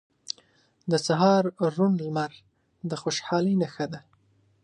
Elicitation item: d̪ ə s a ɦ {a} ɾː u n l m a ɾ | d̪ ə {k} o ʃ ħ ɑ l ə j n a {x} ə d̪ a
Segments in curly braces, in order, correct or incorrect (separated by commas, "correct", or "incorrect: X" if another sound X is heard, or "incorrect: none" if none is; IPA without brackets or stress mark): incorrect: ɑ, incorrect: x, correct